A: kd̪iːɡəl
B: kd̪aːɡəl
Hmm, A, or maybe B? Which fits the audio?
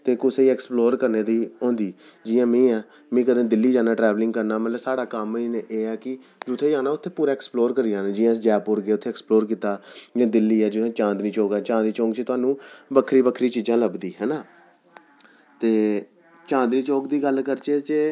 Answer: A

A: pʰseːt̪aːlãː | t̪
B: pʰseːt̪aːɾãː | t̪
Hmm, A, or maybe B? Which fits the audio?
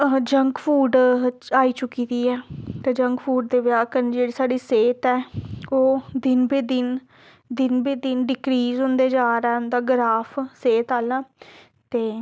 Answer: A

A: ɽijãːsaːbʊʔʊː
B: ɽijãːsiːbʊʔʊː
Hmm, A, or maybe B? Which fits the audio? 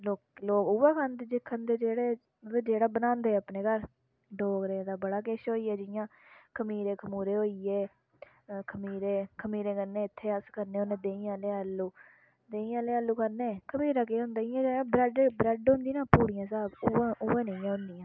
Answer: A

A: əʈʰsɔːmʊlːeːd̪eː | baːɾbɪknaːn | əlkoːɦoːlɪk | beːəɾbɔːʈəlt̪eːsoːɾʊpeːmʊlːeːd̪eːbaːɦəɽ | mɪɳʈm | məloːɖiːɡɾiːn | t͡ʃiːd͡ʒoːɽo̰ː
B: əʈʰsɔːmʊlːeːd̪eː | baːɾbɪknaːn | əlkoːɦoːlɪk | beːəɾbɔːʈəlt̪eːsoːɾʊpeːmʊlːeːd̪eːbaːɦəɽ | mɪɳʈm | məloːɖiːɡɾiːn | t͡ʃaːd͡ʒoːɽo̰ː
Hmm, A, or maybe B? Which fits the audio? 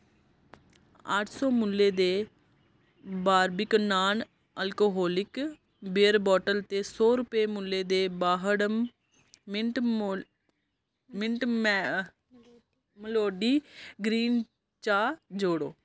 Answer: B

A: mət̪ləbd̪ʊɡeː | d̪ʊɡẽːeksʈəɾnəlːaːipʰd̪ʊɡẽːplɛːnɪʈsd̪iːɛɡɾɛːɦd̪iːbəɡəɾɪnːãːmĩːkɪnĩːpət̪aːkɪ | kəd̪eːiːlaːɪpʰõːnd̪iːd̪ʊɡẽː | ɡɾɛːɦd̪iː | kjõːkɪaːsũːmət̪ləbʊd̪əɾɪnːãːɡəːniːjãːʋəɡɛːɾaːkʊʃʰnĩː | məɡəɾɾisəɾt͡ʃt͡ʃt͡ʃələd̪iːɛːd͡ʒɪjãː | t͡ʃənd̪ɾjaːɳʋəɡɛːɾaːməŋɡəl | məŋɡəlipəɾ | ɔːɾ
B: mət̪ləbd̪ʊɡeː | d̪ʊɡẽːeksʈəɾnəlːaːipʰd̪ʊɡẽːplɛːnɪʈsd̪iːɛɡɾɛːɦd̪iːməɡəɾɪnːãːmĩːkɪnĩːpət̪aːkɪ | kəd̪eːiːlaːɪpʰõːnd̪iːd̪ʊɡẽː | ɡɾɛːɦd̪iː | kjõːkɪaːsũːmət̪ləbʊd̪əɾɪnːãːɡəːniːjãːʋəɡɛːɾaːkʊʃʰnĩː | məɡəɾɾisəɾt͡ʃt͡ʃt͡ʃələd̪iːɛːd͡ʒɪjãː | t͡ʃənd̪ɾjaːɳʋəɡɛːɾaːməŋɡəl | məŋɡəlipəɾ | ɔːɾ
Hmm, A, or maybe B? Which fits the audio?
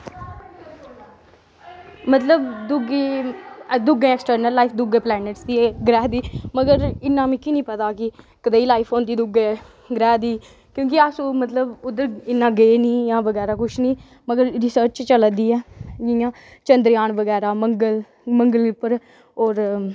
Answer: B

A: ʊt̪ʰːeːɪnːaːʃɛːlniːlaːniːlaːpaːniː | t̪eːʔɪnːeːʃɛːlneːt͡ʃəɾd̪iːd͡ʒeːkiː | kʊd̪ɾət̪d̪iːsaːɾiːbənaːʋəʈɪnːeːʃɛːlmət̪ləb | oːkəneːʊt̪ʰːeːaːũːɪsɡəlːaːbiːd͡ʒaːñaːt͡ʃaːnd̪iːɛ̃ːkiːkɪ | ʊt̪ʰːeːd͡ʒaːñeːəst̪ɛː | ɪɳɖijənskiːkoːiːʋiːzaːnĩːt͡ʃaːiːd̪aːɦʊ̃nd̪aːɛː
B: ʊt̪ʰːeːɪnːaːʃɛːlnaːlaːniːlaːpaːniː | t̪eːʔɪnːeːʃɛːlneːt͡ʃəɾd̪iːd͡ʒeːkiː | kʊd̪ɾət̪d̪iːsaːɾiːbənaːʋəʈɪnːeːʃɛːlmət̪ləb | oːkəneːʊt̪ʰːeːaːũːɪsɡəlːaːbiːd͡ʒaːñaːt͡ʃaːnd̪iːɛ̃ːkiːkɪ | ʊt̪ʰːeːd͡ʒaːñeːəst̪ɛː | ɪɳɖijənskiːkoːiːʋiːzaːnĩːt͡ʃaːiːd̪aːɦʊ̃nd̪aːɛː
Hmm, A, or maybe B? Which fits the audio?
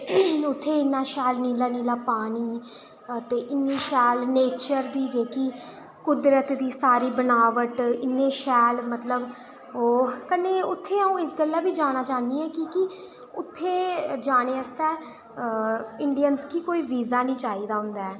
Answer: A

